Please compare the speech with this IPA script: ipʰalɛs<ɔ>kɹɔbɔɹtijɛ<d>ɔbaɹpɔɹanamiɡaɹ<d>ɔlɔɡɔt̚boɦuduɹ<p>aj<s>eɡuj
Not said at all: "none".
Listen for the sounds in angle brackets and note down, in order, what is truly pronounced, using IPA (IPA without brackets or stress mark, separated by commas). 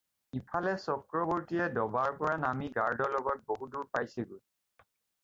ɔ, d, d, p, s